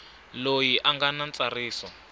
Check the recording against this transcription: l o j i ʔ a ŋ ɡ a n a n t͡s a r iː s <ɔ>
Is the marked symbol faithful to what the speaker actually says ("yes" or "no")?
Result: yes